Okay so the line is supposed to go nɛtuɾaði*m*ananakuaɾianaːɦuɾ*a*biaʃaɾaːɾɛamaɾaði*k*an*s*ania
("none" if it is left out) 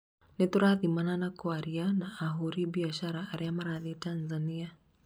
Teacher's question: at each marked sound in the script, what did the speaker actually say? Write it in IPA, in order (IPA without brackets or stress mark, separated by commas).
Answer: m, i, t, z